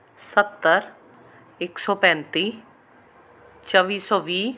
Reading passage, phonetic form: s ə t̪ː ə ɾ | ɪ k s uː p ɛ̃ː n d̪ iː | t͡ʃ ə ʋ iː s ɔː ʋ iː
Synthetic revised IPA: s ə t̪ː ə ɾ | ɪ k s ɔː p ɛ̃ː n t̪ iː | t͡ʃ ə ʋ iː s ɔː ʋ iː